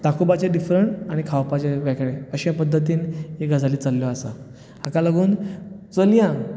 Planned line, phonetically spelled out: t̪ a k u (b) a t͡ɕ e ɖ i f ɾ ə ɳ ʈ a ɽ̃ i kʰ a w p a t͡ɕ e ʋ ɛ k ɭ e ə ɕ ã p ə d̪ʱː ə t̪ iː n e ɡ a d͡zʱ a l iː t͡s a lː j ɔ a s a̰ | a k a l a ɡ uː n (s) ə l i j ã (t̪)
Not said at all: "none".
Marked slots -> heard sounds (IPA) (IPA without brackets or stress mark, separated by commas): b, t͡s, none